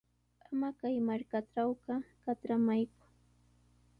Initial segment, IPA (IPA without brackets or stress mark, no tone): a